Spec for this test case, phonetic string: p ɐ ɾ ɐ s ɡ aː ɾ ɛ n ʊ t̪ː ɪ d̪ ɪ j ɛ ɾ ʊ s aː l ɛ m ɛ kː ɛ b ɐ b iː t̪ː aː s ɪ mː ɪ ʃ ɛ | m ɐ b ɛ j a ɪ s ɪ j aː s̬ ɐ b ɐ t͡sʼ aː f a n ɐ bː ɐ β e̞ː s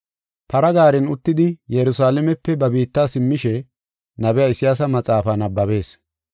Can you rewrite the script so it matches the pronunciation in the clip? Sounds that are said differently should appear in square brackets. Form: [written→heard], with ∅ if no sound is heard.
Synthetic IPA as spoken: p ɐ ɾ ɐ [s→∅] ɡ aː ɾ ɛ n ʊ t̪ː ɪ d̪ ɪ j ɛ ɾ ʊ s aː l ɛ m ɛ [kː→pː] ɛ b ɐ b iː t̪ː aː s ɪ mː ɪ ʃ ɛ | [m→n] ɐ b ɛ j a ɪ s ɪ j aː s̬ ɐ [b→m] ɐ t͡sʼ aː f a n ɐ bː ɐ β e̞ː s